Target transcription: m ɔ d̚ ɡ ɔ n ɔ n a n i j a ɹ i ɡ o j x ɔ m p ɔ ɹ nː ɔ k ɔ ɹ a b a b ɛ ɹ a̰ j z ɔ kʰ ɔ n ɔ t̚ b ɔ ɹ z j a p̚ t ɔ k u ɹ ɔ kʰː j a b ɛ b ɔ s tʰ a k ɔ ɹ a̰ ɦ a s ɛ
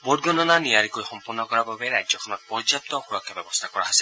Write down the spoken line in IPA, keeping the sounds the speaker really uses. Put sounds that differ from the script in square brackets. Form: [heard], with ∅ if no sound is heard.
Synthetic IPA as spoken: [b] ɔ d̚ ɡ ɔ n ɔ n a n i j a ɹ i [k] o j x ɔ m p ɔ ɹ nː ɔ k ɔ ɹ a b a b ɛ ɹ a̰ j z ɔ kʰ ɔ n ɔ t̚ [p] ɔ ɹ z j a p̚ t ɔ [x] u ɹ ɔ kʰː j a b ɛ b ɔ s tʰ a k ɔ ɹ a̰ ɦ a s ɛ